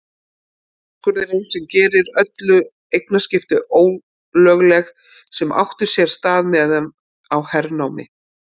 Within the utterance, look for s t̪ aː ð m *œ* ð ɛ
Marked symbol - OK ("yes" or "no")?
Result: no